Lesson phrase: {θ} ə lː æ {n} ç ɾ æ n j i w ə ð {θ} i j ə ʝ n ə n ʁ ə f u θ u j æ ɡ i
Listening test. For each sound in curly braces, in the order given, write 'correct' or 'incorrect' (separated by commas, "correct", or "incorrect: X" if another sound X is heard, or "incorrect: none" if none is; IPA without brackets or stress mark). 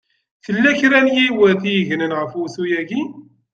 correct, incorrect: none, correct